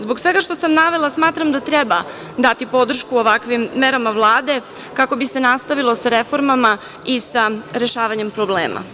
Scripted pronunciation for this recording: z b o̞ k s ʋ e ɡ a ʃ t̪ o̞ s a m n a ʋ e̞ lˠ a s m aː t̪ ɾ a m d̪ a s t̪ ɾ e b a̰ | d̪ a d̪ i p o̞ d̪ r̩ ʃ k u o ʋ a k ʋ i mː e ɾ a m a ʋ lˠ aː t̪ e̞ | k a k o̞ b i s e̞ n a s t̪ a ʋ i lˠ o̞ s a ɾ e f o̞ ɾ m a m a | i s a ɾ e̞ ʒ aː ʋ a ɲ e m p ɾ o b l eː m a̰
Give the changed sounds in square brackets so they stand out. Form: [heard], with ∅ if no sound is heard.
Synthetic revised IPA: z b o̞ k s ʋ e ɡ a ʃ t̪ o̞ s a m n a ʋ e̞ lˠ a s m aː t̪ ɾ a m d̪ a [∅] t̪ ɾ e b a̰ | d̪ a [t̪] i p o̞ d̪ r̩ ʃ k u o ʋ a k ʋ i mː e ɾ a m a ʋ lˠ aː [d̪] e̞ | k a k o̞ b i s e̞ n a s t̪ a ʋ i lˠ o̞ s a ɾ e f o̞ ɾ m a m a | i s a ɾ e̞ [ʃ] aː ʋ a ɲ e m p ɾ o b l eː m a̰